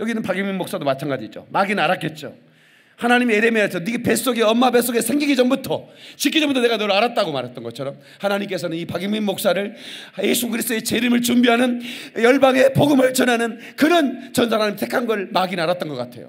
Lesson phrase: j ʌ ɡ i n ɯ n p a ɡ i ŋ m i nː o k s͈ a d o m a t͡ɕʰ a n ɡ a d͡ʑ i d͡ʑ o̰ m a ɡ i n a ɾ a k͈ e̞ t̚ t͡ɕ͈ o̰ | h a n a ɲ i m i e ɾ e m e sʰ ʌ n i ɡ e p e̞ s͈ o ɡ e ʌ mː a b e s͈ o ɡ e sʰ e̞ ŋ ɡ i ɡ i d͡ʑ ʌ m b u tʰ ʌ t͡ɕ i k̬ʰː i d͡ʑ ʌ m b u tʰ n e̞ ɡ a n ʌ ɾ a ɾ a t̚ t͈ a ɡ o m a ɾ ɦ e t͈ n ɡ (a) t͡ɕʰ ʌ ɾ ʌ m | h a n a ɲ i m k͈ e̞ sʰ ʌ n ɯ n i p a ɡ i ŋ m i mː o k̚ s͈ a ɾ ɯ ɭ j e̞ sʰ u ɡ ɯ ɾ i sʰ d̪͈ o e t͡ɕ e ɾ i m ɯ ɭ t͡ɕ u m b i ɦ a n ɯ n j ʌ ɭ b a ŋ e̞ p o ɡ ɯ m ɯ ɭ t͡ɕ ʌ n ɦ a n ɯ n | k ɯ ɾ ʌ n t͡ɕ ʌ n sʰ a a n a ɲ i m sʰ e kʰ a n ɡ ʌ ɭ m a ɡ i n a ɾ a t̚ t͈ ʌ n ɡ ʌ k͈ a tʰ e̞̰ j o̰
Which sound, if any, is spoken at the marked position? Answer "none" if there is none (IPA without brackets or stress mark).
ʌ